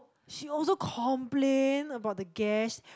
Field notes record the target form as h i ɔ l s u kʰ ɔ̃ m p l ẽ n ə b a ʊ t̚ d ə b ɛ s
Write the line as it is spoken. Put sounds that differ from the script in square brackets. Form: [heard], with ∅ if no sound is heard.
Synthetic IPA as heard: [ʃ] i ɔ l s [o] kʰ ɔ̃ m p l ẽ n ə b a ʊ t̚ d ə [ɡ] ɛ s